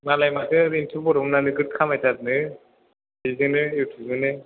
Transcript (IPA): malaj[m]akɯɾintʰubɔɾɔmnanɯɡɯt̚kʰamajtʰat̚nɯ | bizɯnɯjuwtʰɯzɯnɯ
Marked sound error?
no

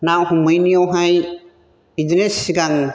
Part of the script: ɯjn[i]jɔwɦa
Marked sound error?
no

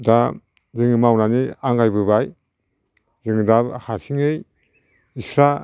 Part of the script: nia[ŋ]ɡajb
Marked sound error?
no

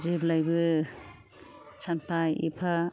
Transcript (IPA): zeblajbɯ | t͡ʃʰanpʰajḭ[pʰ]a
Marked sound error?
no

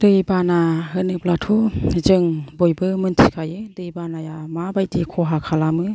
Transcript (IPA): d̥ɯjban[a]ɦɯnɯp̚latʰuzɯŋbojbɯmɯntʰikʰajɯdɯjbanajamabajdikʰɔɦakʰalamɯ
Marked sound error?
no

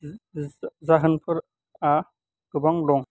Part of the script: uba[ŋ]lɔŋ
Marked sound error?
no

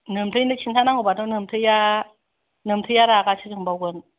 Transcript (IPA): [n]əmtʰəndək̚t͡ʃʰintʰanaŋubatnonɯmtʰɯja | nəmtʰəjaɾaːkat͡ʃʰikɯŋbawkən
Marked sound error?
no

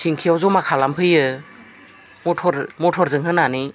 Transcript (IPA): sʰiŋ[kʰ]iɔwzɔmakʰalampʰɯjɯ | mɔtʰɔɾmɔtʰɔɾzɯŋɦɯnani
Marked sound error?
no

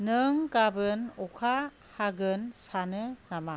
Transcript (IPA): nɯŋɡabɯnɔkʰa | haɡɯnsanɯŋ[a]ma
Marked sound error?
no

